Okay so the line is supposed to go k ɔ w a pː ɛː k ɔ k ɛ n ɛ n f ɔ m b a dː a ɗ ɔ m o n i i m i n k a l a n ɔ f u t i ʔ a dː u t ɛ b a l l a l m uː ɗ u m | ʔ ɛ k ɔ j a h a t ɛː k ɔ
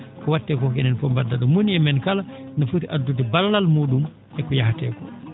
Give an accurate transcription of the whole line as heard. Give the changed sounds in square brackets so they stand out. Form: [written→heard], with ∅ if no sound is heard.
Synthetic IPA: k ɔ w a [pː→tː] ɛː k ɔ k ɛ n ɛ n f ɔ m b a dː a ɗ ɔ m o n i [i→ɛ] m [i→ɛ] n k a l a n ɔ f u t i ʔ a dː u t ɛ b a l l a l m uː ɗ u m | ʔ ɛ k ɔ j a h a t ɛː k ɔ